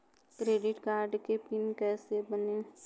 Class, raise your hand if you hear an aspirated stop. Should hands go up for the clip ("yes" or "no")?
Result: no